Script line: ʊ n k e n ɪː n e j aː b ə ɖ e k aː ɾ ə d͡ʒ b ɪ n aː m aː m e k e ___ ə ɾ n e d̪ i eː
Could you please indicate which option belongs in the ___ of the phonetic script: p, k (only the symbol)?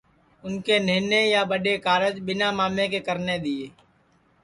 k